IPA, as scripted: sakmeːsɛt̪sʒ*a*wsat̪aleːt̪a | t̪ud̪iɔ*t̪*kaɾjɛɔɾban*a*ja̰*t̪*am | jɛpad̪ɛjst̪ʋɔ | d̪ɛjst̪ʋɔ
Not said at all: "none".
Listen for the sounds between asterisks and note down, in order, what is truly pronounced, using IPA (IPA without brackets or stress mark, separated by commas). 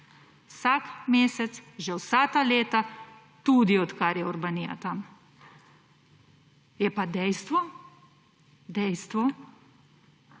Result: ɛ, t̪, i, t̪